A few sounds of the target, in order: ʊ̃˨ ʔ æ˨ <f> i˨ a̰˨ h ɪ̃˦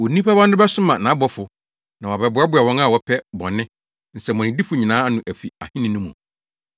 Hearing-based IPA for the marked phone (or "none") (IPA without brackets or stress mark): f